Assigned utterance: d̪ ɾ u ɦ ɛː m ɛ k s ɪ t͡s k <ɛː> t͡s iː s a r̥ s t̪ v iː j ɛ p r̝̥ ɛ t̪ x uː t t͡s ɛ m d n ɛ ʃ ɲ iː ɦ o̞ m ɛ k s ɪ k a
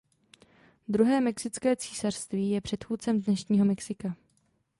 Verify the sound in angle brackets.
correct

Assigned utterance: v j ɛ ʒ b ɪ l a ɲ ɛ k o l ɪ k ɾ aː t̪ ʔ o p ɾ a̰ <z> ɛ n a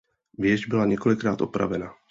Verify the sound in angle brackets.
incorrect: v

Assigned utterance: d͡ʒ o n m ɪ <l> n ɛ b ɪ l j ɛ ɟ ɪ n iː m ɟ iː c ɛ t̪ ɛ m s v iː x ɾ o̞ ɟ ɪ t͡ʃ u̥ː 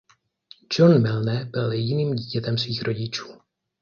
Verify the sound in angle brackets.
correct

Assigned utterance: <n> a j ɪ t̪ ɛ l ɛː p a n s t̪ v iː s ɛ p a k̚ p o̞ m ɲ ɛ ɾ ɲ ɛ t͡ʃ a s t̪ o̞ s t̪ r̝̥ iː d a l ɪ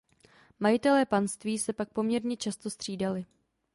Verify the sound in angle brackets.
incorrect: m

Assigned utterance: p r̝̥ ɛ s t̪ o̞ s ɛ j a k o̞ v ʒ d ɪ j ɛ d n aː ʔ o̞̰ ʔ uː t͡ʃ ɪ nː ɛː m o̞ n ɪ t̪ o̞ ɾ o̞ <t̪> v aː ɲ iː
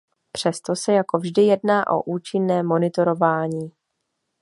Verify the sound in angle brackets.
incorrect: none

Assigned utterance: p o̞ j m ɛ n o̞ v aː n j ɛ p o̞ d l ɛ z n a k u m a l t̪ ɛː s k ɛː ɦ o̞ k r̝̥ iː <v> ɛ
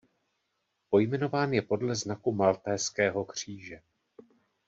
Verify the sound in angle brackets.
incorrect: ʒ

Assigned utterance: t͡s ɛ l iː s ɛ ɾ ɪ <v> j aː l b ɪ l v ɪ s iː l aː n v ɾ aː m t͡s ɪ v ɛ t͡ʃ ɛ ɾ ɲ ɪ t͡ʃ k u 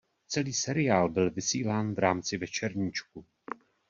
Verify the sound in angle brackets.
incorrect: none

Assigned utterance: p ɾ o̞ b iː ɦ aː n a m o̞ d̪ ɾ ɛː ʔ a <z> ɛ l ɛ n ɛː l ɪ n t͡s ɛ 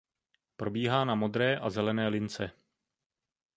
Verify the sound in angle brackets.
correct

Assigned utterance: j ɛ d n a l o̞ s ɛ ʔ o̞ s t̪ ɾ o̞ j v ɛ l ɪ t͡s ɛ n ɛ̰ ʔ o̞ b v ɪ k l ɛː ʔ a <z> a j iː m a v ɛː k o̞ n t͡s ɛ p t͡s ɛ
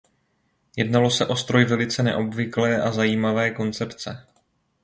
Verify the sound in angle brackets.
correct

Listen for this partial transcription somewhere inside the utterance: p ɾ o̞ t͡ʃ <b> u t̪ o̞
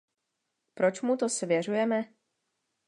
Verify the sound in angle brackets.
incorrect: m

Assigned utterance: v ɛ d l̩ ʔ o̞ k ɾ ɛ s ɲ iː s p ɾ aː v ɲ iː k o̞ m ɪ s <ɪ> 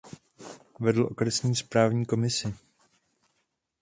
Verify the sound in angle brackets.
correct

